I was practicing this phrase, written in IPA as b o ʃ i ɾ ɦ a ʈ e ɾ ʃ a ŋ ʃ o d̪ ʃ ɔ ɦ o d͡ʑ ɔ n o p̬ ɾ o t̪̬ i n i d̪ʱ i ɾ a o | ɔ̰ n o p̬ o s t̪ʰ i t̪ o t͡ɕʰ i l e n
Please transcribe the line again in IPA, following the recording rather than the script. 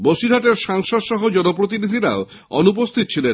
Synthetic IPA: b o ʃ i ɾ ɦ a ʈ e ɾ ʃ a ŋ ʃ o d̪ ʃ ɔ ɦ o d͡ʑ ɔ n o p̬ ɾ o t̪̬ i n i d̪ʱ i ɾ a o | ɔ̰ n u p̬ o s t̪ʰ i t̪ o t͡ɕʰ i l e n